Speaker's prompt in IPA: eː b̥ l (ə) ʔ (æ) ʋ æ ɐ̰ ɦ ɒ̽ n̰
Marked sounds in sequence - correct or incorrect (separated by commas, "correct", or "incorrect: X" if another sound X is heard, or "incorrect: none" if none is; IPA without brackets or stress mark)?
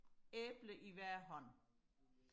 correct, incorrect: i